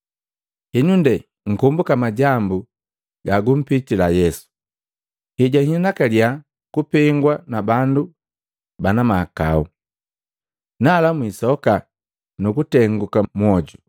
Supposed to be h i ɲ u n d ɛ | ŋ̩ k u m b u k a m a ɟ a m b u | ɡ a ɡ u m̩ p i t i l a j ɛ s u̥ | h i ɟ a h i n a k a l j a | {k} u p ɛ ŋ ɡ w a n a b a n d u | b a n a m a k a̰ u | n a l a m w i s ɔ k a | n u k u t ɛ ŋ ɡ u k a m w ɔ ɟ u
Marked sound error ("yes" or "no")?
no